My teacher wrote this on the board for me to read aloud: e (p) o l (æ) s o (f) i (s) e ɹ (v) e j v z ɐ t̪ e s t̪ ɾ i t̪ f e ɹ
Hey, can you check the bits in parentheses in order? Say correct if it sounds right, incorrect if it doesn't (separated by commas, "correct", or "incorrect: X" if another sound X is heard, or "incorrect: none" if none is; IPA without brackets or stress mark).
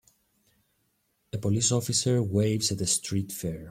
correct, incorrect: i, correct, correct, incorrect: w